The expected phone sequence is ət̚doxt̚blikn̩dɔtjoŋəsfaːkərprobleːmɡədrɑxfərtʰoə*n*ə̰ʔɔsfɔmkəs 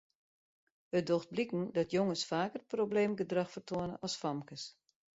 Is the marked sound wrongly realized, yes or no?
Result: no